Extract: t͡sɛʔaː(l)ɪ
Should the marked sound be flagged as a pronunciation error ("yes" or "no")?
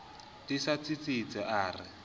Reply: yes